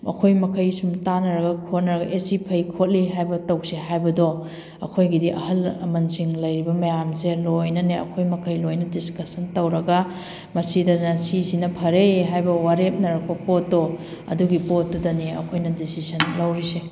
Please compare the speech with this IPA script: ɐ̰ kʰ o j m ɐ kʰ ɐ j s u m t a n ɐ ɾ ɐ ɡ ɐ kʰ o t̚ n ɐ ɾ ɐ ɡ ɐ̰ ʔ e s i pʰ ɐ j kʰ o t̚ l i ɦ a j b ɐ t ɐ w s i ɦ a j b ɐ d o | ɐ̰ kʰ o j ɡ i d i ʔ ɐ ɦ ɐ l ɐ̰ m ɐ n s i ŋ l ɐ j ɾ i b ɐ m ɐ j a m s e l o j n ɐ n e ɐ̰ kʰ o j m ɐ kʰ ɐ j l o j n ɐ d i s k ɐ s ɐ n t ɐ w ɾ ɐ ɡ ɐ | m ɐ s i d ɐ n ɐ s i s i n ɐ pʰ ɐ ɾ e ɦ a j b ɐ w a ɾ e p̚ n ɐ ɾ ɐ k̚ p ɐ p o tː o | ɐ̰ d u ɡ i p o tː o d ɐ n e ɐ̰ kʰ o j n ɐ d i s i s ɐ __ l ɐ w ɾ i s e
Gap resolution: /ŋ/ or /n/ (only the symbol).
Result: n